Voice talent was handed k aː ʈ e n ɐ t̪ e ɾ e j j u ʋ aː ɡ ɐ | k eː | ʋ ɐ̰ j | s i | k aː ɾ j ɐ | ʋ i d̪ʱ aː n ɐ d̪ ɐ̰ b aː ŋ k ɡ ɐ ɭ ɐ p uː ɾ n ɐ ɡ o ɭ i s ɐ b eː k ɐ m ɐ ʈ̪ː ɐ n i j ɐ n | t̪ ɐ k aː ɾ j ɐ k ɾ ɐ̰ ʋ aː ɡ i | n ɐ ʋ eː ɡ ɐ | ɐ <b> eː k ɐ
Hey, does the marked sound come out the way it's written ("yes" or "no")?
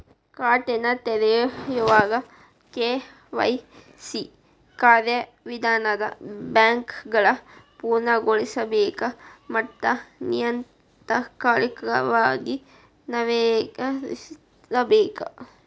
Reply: yes